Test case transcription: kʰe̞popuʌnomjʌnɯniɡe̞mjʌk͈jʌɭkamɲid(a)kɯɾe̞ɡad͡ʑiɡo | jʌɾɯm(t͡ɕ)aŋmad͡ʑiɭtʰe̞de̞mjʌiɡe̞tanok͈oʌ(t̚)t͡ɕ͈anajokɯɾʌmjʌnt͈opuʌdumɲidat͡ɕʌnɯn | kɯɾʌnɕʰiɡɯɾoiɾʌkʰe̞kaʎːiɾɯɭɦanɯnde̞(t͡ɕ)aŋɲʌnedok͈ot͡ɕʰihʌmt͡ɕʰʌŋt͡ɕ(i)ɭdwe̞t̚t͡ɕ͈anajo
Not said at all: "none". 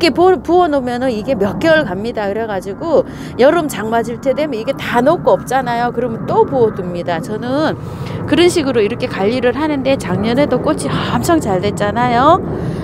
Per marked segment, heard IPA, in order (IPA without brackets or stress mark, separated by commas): a, t͡ɕ, p̚, t͡ɕ, a